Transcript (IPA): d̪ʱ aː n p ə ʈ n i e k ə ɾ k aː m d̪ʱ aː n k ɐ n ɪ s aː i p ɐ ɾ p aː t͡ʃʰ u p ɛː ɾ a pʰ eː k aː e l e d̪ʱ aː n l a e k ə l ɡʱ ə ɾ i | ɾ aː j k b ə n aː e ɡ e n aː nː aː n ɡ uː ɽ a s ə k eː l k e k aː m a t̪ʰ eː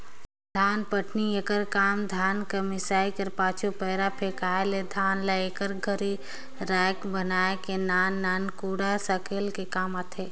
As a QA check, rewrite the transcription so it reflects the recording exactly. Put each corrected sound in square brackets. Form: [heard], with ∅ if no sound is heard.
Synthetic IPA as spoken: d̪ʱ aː n p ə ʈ n i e k ə ɾ k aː m d̪ʱ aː n k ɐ [m] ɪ s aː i [k] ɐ ɾ p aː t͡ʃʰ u p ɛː ɾ a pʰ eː k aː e l e d̪ʱ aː n l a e k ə [ɾ] ɡʱ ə ɾ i | ɾ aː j k b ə n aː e [k] e n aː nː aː n [k] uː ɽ a s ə k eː l k e k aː m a t̪ʰ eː

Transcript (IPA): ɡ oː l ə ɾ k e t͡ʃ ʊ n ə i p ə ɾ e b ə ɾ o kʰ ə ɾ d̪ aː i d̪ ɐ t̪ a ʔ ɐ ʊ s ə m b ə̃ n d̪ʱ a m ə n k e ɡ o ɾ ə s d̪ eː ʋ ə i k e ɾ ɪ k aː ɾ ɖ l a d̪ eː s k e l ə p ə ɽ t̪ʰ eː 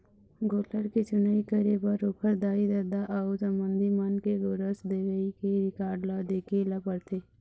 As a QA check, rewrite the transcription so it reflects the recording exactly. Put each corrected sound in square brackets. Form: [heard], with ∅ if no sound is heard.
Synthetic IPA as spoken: ɡ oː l ə ɾ k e t͡ʃ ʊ n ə i [k] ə ɾ e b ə ɾ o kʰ ə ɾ d̪ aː i d̪ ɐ [d̪] a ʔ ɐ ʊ s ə m b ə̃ n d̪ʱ [i] m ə n k e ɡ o ɾ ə s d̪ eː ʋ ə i k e ɾ ɪ k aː ɾ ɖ l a d̪ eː [∅] k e l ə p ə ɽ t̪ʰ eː

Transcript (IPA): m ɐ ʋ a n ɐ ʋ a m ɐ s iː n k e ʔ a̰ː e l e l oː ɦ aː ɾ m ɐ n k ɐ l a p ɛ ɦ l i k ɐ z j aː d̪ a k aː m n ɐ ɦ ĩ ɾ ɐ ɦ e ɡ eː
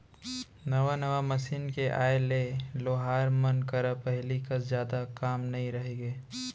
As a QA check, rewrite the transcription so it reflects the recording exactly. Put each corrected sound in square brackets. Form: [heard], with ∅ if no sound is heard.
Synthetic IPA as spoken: [n] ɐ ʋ a n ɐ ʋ a m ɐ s iː n k e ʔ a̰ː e l e l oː ɦ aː ɾ m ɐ n k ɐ [ɾ] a p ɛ ɦ l i k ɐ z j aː d̪ a k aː m n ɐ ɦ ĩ ɾ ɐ ɦ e ɡ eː

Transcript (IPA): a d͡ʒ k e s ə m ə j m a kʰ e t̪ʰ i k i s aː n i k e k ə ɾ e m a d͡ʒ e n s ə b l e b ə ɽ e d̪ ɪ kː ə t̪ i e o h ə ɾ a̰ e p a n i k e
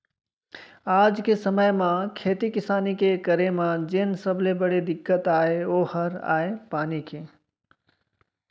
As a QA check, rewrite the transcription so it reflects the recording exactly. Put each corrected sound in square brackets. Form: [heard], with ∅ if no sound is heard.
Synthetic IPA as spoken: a d͡ʒ k e s ə m ə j m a kʰ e [t̪] i k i s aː n i k e k ə ɾ e m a d͡ʒ e n s ə b l e b ə ɽ e d̪ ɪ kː ə t̪ [a] e o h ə ɾ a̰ e p a n i k e

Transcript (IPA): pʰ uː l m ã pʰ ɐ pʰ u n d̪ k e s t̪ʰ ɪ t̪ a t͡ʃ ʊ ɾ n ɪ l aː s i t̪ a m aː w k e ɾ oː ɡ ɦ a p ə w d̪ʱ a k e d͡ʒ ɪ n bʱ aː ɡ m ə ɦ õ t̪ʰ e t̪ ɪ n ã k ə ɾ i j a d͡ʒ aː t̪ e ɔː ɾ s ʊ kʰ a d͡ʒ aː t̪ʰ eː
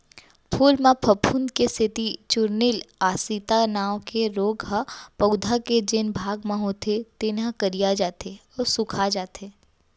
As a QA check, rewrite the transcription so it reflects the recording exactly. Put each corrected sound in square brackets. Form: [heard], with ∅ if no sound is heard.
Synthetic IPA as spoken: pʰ uː l m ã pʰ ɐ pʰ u n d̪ k e s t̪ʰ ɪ t̪ [i] t͡ʃ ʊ ɾ n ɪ l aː s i t̪ a [n] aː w k e ɾ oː ɡ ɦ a p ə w d̪ʱ a k e d͡ʒ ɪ n bʱ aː ɡ m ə ɦ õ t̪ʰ e t̪ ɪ n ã k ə ɾ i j a d͡ʒ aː t̪ e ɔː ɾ s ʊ kʰ a d͡ʒ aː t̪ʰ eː

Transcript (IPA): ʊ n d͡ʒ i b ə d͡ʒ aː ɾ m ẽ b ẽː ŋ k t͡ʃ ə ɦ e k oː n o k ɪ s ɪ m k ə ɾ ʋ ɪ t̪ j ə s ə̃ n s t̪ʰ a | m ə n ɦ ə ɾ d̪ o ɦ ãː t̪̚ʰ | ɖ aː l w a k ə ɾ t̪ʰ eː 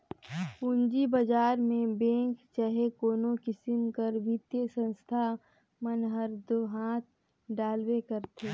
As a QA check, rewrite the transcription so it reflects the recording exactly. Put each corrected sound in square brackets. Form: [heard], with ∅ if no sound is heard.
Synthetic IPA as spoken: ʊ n d͡ʒ i b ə d͡ʒ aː ɾ m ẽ b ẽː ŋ k t͡ʃ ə ɦ e k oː n o k ɪ s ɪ m k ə ɾ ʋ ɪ t̪ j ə s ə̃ n s t̪ʰ a | m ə n ɦ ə ɾ d̪ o ɦ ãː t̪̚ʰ | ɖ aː l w [e] k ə ɾ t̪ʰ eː

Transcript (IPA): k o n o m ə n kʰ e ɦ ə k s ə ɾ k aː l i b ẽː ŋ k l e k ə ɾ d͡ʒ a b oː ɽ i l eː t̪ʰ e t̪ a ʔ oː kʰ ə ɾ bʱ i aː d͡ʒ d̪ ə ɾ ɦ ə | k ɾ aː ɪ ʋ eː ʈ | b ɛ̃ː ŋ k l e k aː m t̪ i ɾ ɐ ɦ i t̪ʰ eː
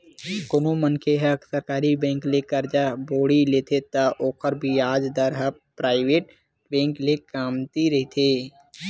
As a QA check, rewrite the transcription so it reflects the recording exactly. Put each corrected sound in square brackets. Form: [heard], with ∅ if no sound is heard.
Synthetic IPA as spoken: k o n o m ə n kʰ e ɦ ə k s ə ɾ k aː [ɾ] i b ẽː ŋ k l e k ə ɾ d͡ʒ a b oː ɽ i l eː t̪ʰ e t̪ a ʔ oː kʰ ə ɾ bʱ i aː d͡ʒ d̪ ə ɾ ɦ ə | [p] ɾ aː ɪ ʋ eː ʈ | b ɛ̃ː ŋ k l e k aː m t̪ i ɾ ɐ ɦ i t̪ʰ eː

